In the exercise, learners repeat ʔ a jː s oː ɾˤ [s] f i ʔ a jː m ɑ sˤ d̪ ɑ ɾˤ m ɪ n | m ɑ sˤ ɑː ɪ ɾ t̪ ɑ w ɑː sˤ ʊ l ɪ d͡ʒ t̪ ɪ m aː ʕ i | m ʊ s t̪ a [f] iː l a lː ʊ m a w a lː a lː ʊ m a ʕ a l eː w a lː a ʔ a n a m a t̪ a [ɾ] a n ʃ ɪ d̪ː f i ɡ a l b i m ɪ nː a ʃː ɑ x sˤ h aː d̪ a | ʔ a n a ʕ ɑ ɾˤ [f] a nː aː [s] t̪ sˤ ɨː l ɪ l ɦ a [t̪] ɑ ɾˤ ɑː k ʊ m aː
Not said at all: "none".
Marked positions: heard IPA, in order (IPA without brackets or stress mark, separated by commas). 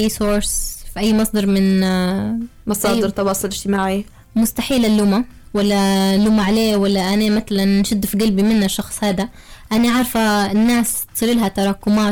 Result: s, ħ, l, f, s, t̪